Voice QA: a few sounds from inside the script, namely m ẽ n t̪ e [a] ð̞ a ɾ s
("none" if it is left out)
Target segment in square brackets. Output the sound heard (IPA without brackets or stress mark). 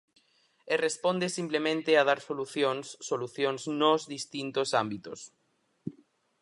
a